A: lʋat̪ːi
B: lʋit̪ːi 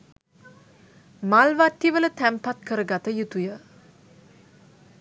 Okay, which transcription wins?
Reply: A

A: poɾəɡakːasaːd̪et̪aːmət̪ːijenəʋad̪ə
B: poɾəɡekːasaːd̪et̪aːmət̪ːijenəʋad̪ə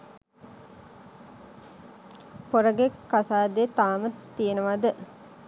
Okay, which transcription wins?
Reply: B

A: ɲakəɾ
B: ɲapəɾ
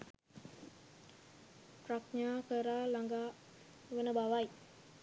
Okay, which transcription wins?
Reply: A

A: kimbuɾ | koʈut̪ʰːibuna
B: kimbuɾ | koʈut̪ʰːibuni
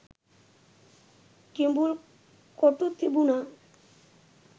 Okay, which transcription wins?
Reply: A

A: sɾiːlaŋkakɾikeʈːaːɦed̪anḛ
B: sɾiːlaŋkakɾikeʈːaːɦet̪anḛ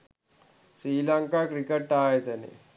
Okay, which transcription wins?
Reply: B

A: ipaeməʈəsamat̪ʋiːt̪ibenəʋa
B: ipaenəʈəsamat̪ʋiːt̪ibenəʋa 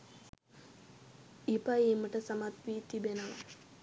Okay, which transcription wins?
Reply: A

